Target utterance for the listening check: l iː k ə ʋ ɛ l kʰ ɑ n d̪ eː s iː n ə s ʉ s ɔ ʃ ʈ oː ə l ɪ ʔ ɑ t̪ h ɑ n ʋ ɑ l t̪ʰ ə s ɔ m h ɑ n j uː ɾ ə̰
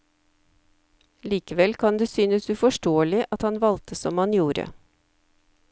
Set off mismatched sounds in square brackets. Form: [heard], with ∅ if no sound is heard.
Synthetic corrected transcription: l iː k ə ʋ ɛ l kʰ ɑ n d̪ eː s [yː] n ə s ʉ [f] ɔ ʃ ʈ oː ə l ɪ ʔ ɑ t̪ h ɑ n ʋ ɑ l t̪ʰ ə s ɔ m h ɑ n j uː ɾ ə̰